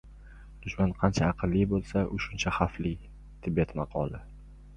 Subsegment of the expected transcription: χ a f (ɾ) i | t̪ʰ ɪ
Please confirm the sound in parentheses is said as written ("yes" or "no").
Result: no